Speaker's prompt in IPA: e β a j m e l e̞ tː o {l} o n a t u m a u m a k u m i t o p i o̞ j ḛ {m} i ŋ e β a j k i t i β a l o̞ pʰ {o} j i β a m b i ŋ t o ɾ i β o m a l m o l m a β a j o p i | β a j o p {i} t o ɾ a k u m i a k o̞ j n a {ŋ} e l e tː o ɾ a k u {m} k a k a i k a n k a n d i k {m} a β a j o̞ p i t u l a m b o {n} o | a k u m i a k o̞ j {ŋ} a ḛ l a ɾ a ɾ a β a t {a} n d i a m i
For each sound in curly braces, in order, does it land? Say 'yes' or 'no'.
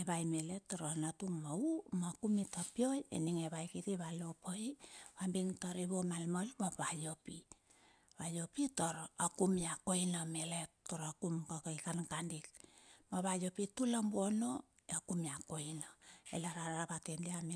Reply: no, no, yes, yes, no, yes, yes, yes, no, no

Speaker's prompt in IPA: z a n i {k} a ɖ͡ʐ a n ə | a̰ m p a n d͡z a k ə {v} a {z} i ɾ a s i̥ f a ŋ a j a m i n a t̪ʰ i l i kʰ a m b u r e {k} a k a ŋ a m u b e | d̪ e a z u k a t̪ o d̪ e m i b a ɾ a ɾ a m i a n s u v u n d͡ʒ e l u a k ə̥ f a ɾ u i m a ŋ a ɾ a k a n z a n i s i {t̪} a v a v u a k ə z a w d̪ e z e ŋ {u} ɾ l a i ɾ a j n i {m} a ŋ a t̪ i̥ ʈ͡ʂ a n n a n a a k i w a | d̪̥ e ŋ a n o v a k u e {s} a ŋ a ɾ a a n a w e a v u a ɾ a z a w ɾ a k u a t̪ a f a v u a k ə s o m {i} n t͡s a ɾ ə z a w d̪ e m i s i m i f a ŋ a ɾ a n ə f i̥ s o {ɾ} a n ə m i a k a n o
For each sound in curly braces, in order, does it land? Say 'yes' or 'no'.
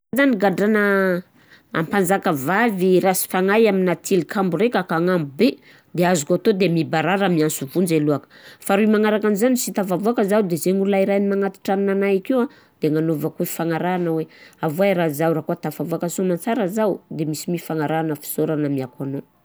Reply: no, yes, no, yes, yes, yes, yes, no, no, yes

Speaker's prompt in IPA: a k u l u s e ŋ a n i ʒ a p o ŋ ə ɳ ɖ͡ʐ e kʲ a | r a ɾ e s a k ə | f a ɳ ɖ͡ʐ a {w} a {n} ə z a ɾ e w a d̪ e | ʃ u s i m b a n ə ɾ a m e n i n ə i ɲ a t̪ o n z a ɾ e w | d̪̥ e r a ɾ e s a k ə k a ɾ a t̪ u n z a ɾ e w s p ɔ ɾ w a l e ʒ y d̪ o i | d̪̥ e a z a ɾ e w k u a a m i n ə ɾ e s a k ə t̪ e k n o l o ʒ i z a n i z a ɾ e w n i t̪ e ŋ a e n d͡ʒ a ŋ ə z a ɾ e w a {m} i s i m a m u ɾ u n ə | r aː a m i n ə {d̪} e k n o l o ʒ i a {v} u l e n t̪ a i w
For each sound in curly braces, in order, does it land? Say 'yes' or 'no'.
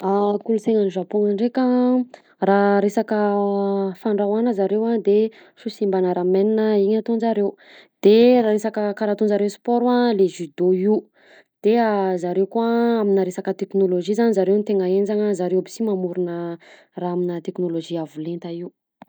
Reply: yes, yes, no, no, yes

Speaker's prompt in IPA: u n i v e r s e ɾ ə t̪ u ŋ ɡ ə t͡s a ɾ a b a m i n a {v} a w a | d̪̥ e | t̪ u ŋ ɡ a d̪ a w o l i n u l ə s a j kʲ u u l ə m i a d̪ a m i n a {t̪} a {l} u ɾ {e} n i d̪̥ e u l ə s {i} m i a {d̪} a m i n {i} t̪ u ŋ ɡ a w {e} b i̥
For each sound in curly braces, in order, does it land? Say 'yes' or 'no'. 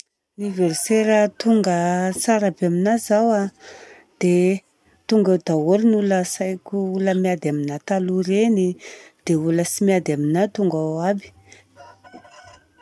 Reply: no, yes, yes, yes, yes, yes, no, no

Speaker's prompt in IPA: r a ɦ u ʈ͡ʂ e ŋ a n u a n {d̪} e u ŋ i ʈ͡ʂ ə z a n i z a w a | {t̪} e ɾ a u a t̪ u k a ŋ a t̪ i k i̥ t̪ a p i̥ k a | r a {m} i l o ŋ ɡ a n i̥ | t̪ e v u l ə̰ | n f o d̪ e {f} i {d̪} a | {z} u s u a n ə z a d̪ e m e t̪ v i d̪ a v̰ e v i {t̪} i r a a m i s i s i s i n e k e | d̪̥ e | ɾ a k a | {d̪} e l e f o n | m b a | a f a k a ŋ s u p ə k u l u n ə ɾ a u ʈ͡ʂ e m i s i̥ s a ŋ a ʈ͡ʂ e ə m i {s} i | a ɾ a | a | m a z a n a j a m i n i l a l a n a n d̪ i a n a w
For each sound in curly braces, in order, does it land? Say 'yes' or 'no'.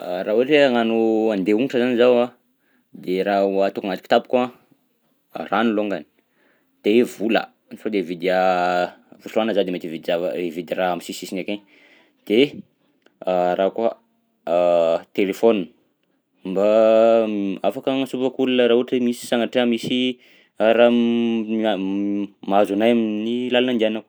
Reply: yes, no, no, no, yes, no, no, no, yes

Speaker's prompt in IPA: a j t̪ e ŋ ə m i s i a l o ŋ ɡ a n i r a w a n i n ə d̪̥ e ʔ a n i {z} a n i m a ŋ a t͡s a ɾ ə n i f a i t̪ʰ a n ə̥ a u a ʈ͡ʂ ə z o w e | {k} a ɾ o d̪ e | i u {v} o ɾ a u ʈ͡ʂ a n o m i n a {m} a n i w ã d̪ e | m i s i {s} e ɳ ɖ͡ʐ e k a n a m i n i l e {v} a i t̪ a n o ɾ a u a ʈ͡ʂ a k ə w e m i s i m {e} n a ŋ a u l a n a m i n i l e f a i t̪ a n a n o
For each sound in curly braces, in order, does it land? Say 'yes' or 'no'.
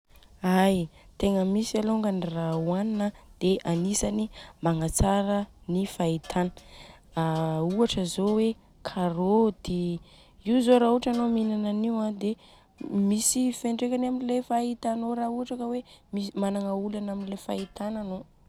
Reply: no, no, no, no, no, no, no

